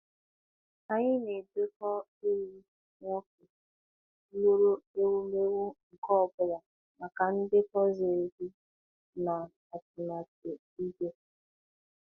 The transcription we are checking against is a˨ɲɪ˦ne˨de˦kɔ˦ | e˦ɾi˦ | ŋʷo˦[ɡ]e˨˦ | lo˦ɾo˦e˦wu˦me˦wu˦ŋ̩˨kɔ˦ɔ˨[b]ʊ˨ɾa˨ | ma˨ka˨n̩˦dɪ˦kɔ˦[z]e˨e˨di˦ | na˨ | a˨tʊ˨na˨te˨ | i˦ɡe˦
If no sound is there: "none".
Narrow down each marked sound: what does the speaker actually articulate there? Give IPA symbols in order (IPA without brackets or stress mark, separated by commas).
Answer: k, b, z